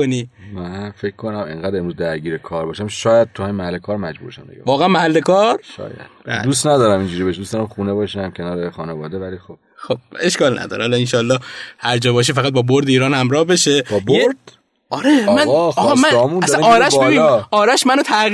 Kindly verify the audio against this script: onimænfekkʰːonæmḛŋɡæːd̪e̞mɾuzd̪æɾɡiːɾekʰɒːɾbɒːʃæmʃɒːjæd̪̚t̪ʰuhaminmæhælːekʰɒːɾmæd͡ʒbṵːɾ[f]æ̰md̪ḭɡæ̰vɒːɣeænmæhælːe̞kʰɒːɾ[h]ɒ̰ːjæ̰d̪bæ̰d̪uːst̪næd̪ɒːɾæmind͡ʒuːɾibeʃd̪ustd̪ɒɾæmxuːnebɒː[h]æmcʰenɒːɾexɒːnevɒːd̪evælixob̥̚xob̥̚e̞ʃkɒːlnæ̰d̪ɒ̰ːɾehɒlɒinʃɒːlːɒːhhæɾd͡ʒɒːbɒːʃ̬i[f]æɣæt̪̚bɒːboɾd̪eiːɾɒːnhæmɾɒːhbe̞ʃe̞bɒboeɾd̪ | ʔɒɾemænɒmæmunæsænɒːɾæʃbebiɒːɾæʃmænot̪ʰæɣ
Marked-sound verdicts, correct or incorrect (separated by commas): incorrect, incorrect, incorrect, correct